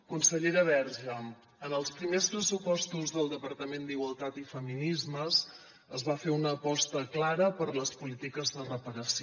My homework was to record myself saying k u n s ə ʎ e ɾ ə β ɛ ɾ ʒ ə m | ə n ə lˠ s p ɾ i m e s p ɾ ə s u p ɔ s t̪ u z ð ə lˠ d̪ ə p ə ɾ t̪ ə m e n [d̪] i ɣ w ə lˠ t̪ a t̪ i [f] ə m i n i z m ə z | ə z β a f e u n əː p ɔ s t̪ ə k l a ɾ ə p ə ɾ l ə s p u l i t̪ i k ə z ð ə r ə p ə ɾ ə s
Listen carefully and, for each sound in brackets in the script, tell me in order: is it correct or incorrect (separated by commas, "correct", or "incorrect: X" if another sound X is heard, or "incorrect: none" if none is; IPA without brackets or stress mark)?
correct, correct